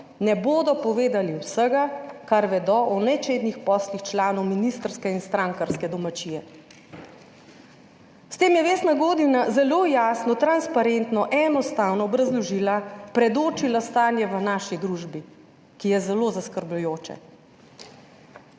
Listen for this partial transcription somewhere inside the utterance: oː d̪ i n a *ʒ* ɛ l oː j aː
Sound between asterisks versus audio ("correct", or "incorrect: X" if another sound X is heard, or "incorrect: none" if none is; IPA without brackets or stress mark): incorrect: z